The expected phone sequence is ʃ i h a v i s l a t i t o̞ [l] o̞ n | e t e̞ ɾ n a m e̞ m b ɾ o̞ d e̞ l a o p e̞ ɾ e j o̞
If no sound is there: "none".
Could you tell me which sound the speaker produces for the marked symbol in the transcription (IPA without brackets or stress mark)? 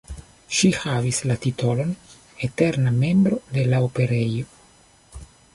l